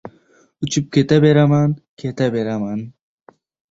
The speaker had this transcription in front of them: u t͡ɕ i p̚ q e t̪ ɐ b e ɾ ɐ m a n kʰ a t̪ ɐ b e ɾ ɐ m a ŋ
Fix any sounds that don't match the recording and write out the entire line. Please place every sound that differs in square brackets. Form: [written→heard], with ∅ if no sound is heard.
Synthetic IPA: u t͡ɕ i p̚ [q→k] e t̪ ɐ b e ɾ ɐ m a n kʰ [a→e] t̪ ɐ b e ɾ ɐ m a [ŋ→n]